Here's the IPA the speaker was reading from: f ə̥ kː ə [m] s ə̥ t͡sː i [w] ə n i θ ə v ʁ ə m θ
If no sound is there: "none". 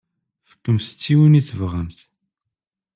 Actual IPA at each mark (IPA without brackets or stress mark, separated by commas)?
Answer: m, w